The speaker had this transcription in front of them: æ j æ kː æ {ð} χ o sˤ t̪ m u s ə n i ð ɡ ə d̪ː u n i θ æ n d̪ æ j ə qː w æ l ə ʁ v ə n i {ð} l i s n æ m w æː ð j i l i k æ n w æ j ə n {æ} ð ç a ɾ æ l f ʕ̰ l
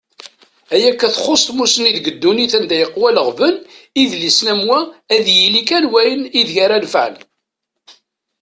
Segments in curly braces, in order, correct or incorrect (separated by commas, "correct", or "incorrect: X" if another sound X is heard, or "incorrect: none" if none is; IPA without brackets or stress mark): incorrect: θ, correct, incorrect: i